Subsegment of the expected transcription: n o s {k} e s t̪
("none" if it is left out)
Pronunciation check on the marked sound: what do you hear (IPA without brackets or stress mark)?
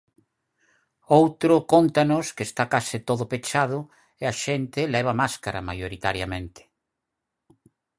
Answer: k